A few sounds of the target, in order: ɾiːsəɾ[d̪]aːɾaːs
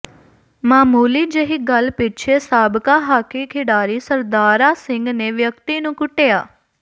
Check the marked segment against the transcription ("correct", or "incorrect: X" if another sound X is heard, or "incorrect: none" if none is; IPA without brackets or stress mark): correct